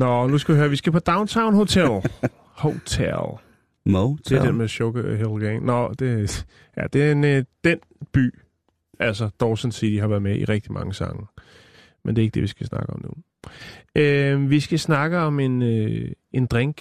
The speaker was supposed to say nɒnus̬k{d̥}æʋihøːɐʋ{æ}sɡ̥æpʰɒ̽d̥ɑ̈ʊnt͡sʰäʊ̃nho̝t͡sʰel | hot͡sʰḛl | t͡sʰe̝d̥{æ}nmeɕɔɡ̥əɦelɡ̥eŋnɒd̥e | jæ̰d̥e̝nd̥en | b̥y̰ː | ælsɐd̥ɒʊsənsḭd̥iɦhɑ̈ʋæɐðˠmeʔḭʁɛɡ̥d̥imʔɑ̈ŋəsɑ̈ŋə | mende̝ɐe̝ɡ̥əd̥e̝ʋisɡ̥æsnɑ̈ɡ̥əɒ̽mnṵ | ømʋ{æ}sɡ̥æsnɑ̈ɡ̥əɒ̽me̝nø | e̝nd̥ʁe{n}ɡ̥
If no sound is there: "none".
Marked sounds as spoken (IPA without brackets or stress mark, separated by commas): ɡ̥, i, e, i, ŋ